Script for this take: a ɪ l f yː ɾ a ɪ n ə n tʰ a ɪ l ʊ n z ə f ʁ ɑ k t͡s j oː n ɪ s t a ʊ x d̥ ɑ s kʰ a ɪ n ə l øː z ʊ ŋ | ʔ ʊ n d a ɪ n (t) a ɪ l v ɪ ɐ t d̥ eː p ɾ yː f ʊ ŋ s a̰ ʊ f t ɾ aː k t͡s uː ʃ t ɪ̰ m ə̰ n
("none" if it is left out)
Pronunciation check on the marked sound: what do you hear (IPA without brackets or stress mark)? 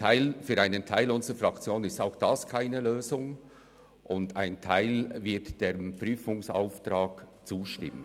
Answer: tʰ